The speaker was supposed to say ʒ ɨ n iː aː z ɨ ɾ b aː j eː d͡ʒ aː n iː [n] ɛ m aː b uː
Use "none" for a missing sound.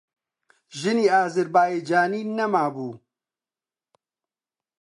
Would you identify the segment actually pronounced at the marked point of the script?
n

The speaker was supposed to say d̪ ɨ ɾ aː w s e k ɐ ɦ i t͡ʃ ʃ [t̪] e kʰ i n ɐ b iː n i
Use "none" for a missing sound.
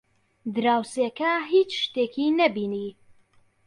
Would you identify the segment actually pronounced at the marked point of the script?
t̪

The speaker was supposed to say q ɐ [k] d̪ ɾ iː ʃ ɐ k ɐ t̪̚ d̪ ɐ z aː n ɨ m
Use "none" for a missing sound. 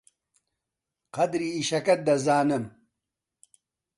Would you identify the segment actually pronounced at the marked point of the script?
none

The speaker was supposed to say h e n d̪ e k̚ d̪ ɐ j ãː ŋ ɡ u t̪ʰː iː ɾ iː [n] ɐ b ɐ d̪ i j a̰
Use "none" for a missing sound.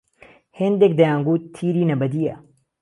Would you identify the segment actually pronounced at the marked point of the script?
n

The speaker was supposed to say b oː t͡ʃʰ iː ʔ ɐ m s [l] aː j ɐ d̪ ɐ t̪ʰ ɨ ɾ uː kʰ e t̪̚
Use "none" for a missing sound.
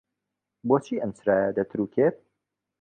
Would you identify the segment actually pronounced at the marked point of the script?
ɾ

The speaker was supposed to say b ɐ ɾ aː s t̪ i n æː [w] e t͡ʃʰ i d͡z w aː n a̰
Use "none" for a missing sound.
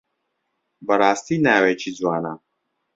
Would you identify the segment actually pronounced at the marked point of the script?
w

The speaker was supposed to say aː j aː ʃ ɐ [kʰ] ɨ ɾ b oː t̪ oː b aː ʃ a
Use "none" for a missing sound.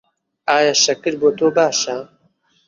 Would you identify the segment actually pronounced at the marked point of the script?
k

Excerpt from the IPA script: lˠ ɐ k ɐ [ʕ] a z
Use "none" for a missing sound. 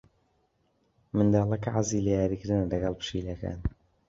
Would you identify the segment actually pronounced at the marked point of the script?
ʕ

